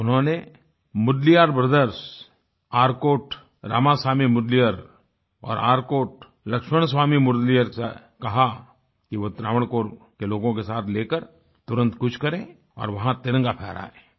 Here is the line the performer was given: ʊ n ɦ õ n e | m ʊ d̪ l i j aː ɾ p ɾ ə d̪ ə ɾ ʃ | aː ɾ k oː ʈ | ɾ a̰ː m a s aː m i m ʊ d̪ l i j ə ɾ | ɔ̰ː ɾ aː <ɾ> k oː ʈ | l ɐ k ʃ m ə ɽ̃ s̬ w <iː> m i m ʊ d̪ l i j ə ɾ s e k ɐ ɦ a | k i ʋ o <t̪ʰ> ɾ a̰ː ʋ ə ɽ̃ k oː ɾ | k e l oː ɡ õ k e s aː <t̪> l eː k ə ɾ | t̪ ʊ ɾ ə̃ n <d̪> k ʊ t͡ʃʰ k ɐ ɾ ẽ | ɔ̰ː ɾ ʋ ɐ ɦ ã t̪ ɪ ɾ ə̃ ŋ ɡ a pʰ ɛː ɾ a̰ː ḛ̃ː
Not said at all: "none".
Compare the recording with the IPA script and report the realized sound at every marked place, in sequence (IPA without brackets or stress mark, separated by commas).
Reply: ɾ, aː, t̪, t̪ʰ, t̪